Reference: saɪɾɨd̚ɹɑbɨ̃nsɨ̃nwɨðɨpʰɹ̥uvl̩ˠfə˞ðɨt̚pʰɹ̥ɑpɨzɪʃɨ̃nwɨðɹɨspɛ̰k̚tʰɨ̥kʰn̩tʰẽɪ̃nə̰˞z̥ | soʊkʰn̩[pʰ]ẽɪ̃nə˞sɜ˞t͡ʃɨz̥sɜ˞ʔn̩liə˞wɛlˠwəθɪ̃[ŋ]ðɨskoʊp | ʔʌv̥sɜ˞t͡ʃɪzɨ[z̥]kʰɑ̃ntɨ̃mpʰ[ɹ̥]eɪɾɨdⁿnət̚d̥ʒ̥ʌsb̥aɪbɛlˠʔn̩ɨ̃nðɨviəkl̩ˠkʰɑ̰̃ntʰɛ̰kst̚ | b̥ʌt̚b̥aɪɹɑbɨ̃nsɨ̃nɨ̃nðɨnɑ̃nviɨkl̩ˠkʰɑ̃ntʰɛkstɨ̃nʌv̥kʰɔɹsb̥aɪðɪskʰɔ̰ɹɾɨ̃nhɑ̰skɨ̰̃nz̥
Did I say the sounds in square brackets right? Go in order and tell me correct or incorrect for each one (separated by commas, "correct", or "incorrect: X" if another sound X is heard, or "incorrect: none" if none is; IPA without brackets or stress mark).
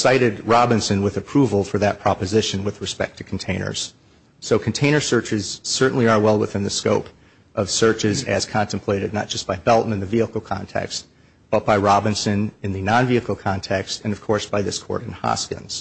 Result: incorrect: tʰ, incorrect: n, correct, incorrect: l̥